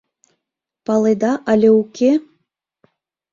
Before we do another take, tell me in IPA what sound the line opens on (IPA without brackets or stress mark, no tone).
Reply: p